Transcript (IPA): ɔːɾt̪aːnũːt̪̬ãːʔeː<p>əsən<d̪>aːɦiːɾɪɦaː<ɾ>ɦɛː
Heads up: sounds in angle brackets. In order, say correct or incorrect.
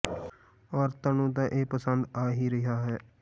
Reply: correct, correct, incorrect

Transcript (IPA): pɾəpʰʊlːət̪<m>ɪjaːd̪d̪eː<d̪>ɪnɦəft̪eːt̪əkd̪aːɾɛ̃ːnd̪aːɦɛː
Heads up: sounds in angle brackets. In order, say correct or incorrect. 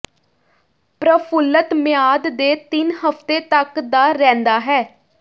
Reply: correct, incorrect

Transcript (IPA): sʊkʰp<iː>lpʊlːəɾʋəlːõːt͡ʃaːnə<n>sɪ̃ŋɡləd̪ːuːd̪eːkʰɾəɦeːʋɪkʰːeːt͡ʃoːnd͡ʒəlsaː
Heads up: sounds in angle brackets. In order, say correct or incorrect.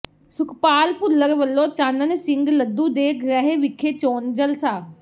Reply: incorrect, correct

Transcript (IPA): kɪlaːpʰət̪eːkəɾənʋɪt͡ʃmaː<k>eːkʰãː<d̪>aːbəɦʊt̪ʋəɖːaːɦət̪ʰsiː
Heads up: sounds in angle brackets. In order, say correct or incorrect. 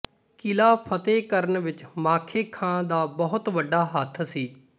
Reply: incorrect, correct

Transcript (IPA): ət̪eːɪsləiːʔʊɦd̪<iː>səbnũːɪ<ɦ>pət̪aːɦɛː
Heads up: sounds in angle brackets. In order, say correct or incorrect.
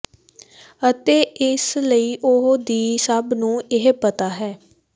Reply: correct, correct

